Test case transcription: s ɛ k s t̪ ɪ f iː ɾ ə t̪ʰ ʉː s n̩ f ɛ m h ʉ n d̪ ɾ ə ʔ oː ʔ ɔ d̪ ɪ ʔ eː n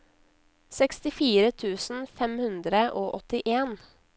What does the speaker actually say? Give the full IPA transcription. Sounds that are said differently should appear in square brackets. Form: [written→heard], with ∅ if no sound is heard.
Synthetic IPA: s ɛ k s t̪ ɪ f iː ɾ ə t̪ʰ ʉː s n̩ f ɛ m h ʉ n d̪ ɾ ə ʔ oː ʔ ɔ [d̪→t̪] ɪ ʔ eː n